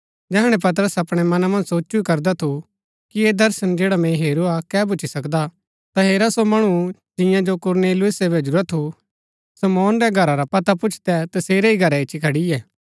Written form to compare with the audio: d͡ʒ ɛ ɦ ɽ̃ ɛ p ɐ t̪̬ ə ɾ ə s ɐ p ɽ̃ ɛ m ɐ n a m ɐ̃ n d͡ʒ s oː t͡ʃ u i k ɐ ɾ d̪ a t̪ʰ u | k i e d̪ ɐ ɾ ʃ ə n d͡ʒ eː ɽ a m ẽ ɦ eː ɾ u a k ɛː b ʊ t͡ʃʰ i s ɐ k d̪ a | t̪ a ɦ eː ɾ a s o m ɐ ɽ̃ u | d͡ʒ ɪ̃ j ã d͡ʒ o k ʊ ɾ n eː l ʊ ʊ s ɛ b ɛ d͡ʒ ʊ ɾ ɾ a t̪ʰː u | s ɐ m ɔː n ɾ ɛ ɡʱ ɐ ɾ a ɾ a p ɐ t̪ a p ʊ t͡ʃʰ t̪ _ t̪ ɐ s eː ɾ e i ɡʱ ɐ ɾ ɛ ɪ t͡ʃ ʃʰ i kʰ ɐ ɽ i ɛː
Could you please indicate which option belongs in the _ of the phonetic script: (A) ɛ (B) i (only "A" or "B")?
A